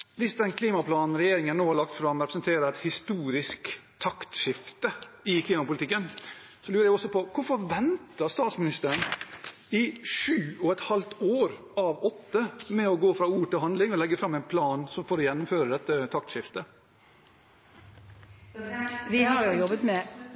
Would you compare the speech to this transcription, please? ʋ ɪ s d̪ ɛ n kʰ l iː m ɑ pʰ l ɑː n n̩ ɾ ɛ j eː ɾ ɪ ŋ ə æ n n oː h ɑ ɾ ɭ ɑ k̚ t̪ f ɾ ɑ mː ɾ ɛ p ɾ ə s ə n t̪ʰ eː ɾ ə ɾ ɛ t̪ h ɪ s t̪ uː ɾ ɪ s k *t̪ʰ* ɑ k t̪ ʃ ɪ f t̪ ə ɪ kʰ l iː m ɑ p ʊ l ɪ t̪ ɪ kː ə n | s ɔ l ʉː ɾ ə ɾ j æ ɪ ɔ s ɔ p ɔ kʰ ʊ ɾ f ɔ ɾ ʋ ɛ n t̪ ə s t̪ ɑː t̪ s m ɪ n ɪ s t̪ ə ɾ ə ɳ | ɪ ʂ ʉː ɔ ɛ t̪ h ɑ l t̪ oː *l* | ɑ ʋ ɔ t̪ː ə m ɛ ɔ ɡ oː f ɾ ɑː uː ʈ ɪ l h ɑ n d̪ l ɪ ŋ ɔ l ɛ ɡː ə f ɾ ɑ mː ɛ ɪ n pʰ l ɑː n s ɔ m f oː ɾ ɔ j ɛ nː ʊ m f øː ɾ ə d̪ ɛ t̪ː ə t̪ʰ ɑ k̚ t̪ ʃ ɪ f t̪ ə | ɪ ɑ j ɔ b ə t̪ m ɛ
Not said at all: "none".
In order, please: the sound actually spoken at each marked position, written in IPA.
t̪ʰ, ɾ

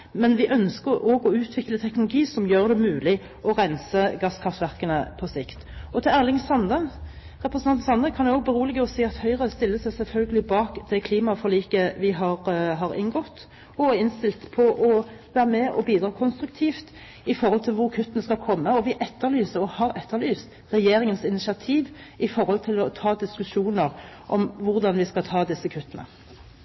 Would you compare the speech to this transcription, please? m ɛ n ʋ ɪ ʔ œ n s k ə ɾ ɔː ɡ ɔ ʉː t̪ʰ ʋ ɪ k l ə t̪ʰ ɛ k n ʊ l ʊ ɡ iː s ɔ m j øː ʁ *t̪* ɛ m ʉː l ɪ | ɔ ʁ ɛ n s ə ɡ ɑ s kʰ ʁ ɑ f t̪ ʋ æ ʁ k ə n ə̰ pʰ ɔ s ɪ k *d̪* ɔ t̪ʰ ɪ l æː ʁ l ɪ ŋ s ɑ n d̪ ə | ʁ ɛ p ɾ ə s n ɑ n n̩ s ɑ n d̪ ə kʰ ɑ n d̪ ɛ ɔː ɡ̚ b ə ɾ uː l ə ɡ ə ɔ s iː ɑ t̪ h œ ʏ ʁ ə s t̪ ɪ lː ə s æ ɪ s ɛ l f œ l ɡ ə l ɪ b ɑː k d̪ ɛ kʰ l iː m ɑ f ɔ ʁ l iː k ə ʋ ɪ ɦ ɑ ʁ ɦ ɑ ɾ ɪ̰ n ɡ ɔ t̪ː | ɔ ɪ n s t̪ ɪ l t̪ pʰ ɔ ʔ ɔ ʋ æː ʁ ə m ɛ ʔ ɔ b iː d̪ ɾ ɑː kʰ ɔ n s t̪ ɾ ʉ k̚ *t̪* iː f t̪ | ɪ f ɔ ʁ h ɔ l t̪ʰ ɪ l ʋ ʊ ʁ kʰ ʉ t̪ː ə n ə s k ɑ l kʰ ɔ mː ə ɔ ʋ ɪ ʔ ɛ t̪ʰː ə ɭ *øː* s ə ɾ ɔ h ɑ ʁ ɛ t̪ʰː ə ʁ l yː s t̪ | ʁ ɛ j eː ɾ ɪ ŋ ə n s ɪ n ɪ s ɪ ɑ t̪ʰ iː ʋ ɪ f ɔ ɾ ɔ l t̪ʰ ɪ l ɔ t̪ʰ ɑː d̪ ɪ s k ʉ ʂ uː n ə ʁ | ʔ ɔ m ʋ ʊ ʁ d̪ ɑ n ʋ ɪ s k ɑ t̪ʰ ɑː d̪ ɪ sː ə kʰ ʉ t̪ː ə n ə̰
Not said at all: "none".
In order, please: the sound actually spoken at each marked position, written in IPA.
d̪, t̪, t̪ʰ, yː

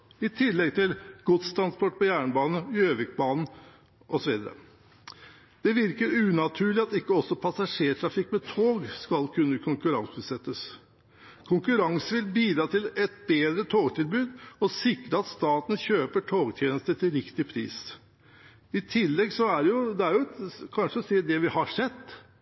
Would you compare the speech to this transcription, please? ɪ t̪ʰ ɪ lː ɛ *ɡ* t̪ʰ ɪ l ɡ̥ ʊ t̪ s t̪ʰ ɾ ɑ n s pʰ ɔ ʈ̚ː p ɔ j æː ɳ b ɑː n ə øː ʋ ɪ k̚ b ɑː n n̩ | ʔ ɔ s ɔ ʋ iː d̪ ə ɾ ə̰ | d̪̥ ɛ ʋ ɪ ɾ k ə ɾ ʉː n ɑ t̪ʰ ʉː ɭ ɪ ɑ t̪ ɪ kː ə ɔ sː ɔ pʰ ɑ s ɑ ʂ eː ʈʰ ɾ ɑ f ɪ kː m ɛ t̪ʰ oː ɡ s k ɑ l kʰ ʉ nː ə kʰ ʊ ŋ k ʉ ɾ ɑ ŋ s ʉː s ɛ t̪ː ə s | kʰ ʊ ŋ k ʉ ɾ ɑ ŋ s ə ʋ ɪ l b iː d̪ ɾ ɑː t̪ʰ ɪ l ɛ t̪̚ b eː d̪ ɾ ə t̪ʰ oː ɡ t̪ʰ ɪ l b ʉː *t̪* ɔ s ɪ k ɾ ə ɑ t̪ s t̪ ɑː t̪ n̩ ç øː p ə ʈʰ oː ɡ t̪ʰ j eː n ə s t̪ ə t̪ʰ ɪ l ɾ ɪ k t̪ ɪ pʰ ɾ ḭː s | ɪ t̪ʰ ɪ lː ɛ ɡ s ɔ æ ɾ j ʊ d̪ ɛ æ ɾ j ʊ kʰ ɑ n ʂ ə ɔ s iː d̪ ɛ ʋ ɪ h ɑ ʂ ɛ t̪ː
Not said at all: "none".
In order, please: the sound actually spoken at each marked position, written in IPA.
ɡ, d̪

